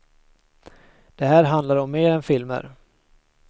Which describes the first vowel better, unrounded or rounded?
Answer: unrounded